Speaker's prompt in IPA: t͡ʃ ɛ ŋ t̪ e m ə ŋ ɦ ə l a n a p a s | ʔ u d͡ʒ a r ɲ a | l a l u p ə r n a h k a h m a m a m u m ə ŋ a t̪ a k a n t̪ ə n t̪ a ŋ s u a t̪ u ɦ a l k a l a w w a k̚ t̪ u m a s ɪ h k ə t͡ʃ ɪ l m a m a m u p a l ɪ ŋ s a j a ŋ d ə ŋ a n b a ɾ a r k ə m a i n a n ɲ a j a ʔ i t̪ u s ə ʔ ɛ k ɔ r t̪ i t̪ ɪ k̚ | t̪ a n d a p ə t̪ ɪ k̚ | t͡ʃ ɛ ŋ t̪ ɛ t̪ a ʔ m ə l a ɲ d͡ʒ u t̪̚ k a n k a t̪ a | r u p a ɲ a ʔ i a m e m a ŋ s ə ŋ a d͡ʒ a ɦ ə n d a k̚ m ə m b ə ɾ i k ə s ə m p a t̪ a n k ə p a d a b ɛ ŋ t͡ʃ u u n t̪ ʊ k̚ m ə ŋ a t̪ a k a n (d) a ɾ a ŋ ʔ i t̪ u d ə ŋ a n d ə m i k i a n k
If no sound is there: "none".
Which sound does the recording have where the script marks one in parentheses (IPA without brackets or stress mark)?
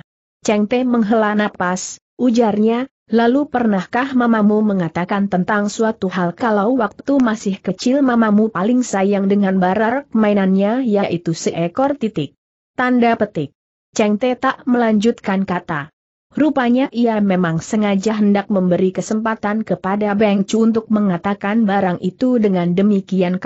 b